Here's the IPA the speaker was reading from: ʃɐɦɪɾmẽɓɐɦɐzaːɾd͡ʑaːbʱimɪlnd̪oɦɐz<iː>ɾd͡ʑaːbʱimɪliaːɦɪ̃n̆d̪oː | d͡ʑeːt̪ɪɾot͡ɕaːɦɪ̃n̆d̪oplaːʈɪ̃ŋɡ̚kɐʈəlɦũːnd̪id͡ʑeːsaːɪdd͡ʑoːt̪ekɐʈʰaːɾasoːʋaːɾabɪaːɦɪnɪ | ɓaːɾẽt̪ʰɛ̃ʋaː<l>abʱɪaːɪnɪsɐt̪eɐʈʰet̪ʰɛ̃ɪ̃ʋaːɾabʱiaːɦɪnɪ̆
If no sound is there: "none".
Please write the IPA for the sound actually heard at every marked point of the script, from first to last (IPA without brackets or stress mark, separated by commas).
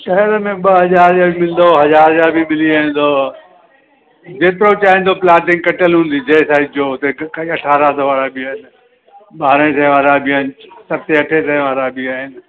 aː, ɾ